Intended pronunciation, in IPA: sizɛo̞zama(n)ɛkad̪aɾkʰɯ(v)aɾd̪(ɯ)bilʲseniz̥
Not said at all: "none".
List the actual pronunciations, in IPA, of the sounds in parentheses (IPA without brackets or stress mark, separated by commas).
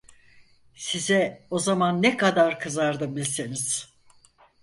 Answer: nː, z, ɯ